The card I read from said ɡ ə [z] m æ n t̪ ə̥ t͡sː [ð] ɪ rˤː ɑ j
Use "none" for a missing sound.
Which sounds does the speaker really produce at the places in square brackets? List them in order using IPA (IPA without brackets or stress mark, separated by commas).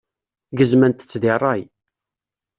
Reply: z, ð